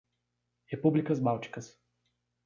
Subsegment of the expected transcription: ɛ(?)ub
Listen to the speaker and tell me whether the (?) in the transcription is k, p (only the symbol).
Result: p